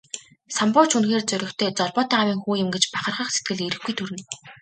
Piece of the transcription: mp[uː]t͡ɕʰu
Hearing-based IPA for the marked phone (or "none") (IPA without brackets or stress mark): ʊː